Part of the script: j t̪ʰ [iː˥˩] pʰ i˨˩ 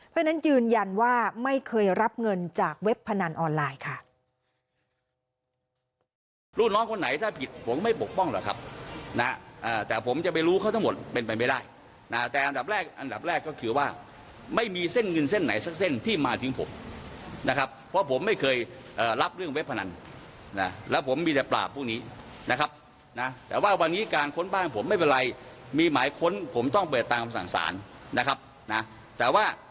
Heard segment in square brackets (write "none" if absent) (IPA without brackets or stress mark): aː˥˩